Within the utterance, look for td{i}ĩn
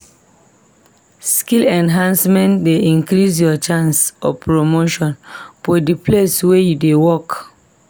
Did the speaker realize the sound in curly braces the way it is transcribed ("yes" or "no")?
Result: no